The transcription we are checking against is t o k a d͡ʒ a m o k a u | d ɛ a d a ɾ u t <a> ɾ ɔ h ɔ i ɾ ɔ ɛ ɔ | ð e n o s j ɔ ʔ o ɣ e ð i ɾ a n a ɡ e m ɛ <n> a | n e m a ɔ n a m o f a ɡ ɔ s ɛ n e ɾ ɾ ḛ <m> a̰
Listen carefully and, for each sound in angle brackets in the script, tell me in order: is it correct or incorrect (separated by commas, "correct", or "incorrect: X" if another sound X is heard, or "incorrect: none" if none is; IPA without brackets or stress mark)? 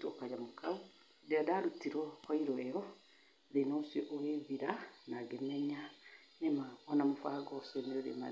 incorrect: i, incorrect: ɲ, correct